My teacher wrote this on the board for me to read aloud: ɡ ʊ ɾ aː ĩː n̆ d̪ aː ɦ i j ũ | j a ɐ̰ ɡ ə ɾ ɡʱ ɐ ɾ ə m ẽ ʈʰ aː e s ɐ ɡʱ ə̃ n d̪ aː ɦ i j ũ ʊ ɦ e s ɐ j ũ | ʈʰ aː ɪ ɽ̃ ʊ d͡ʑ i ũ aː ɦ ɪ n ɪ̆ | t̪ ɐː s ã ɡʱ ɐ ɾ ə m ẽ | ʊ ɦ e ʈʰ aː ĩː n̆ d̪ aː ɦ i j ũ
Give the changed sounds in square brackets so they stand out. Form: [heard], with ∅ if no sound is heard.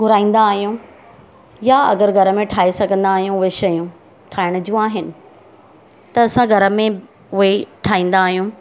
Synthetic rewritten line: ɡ ʊ ɾ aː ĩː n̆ d̪ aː ɦ i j ũ | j a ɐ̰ ɡ ə ɾ ɡʱ ɐ ɾ ə m ẽ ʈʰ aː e s ɐ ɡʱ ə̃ n d̪ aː ɦ i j ũ ʊ ɦ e [ʃ] ɐ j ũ | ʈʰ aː ɪ ɽ̃ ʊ d͡ʑ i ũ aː ɦ ɪ n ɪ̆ | t̪ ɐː s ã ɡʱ ɐ ɾ ə m ẽ | ʊ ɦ e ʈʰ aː ĩː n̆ d̪ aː ɦ i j ũ